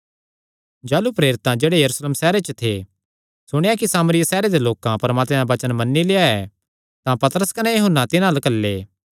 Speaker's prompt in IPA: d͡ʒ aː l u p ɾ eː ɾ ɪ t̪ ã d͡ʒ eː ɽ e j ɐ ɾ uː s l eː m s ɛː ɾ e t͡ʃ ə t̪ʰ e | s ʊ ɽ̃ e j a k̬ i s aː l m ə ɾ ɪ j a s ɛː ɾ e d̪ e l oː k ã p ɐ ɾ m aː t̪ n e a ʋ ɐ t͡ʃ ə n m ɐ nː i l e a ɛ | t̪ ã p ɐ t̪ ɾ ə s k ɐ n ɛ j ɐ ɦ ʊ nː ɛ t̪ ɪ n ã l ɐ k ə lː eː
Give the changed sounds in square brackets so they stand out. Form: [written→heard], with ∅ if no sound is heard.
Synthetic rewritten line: d͡ʒ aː l u p ɾ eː ɾ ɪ t̪ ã d͡ʒ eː ɽ e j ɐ ɾ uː s l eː m s ɛː ɾ e t͡ʃ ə t̪ʰ e | s ʊ ɽ̃ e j a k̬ i s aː [l→∅] m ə ɾ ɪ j a s ɛː ɾ e d̪ e l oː k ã p ɐ ɾ m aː t̪ [n→m] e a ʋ ɐ t͡ʃ ə n m ɐ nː i l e a ɛ | t̪ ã p ɐ t̪ ɾ ə s k ɐ n ɛ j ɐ ɦ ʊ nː [ɛ→a] t̪ ɪ n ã l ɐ k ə lː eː

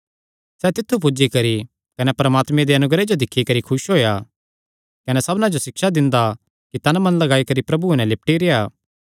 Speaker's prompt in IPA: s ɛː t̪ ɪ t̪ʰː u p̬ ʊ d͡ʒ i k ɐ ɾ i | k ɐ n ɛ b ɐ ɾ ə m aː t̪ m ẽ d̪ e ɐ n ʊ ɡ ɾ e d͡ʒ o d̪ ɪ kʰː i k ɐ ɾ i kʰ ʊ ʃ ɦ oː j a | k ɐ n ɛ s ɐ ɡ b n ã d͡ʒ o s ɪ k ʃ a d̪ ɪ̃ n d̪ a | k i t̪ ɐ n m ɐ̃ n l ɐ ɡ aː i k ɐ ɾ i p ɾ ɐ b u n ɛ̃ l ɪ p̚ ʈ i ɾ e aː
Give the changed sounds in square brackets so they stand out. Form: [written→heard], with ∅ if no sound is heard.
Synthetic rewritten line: s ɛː t̪ ɪ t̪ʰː u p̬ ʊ d͡ʒ i k ɐ ɾ i | k ɐ n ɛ [b→p] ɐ ɾ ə m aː t̪ m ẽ d̪ e ɐ n ʊ ɡ ɾ e d͡ʒ o d̪ ɪ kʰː i k ɐ ɾ i kʰ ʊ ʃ ɦ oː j a | k ɐ n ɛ s ɐ [ɡ→∅] b n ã d͡ʒ o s ɪ k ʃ a d̪ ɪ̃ n d̪ a | k i t̪ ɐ n m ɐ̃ n l ɐ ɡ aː i k ɐ ɾ i p ɾ ɐ b u n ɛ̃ l ɪ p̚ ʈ i ɾ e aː

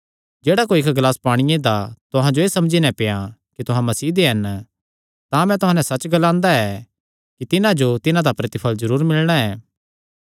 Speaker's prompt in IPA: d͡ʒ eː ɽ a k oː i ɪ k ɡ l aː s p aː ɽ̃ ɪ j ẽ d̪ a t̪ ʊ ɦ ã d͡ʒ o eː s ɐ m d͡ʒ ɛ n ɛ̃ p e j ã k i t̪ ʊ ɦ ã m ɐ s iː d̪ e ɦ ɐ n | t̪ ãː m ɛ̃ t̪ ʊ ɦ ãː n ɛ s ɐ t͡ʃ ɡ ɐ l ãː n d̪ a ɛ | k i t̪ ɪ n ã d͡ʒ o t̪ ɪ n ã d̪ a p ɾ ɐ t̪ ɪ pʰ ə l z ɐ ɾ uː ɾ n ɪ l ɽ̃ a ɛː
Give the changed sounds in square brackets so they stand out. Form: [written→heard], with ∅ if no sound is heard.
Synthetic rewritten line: d͡ʒ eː ɽ a k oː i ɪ k ɡ l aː s p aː ɽ̃ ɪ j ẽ d̪ a t̪ ʊ ɦ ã d͡ʒ o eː s ɐ m d͡ʒ [ɛ→i] n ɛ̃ p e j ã k i t̪ ʊ ɦ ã m ɐ s iː d̪ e ɦ ɐ n | t̪ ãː m ɛ̃ t̪ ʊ ɦ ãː n ɛ s ɐ t͡ʃ ɡ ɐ l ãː n d̪ a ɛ | k i t̪ ɪ n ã d͡ʒ o t̪ ɪ n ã d̪ a p ɾ ɐ t̪ ɪ pʰ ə l z ɐ ɾ uː ɾ [n→m] ɪ l ɽ̃ a ɛː

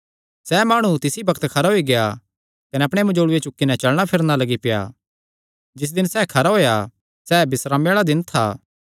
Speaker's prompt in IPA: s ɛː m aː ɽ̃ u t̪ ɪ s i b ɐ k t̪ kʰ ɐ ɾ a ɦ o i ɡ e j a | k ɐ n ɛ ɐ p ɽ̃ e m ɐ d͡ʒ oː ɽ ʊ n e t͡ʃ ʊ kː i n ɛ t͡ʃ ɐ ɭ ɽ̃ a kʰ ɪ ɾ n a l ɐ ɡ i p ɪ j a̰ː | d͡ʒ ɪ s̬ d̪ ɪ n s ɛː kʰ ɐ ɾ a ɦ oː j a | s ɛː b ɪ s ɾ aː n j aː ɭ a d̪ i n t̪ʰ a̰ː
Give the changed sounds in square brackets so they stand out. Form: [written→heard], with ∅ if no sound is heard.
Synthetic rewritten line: s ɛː m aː ɽ̃ u t̪ ɪ s i b ɐ k t̪ kʰ ɐ ɾ a ɦ o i ɡ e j a | k ɐ n ɛ ɐ p ɽ̃ e m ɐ d͡ʒ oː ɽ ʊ [n→∅] e t͡ʃ ʊ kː i n ɛ t͡ʃ ɐ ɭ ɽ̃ a [kʰ→pʰ] ɪ ɾ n a l ɐ ɡ i p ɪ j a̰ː | d͡ʒ ɪ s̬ d̪ ɪ n s ɛː kʰ ɐ ɾ a ɦ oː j a | s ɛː b ɪ s ɾ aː [n→m] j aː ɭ a d̪ [i→ɪ] n t̪ʰ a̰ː

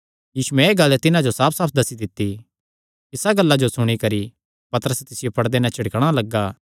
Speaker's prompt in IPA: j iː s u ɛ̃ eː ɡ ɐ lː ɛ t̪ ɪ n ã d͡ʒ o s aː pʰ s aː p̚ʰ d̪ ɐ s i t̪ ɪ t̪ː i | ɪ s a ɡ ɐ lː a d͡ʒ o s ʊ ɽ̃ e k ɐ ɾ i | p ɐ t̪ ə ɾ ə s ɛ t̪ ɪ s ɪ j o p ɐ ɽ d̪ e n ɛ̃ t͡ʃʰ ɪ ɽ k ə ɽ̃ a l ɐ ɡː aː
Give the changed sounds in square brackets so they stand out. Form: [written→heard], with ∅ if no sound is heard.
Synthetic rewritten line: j iː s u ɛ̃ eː ɡ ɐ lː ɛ t̪ ɪ n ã d͡ʒ o s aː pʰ s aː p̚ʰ d̪ ɐ s i [t̪→d̪] ɪ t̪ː i | ɪ s a ɡ ɐ lː a d͡ʒ o s ʊ ɽ̃ [e→i] k ɐ ɾ i | p ɐ t̪ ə ɾ ə s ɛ t̪ ɪ s ɪ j o p ɐ ɽ d̪ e n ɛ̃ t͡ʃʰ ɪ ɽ k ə ɽ̃ a l ɐ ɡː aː

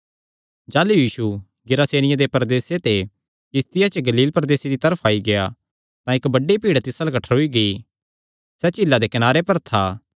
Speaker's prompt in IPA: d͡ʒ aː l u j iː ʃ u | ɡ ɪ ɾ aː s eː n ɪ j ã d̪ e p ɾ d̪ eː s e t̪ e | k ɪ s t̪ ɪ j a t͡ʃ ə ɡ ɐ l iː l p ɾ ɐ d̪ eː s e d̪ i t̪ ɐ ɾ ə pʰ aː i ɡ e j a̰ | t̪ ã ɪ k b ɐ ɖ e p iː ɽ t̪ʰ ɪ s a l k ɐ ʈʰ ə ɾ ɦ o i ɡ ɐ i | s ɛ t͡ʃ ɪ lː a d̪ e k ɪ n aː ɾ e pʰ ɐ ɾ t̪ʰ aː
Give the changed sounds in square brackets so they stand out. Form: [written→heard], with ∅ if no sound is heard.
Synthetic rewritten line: d͡ʒ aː l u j iː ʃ u | ɡ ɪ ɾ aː s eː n ɪ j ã d̪ e p ɾ d̪ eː s e t̪ e | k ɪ s t̪ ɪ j a t͡ʃ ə ɡ ɐ l iː l p ɾ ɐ d̪ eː s e d̪ i t̪ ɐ ɾ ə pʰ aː i ɡ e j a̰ | t̪ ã ɪ k b ɐ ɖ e p iː ɽ [t̪ʰ→t̪] ɪ s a l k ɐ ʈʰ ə ɾ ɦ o i ɡ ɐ i | s ɛ t͡ʃ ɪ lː a d̪ e k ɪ n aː ɾ e [pʰ→p] ɐ ɾ t̪ʰ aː

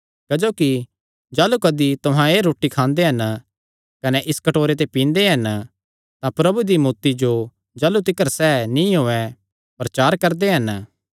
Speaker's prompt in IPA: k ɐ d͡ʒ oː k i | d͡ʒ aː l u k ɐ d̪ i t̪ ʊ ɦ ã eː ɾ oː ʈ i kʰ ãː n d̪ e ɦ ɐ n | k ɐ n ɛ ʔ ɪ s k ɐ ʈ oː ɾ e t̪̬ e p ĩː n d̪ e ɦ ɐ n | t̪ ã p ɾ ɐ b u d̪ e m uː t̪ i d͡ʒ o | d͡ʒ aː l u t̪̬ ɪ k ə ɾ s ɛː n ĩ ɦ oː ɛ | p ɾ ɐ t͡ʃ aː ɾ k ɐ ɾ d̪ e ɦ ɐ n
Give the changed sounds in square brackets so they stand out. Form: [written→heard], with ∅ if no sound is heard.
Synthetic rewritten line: k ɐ d͡ʒ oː k i | d͡ʒ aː l u k ɐ d̪ i t̪ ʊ ɦ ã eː ɾ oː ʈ i kʰ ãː n d̪ e ɦ ɐ n | k ɐ n ɛ ʔ ɪ s k ɐ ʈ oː ɾ e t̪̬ e p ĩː n d̪ e ɦ ɐ n | t̪ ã p ɾ ɐ b u d̪ [e→i] m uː t̪ i d͡ʒ o | d͡ʒ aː l u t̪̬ ɪ k ə ɾ s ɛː n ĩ ɦ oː ɛ | p ɾ ɐ t͡ʃ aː ɾ k ɐ ɾ d̪ e ɦ ɐ n

